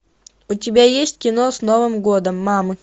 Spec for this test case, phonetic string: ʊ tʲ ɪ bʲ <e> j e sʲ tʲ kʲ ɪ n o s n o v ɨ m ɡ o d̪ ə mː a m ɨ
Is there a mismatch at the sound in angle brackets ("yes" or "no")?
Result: yes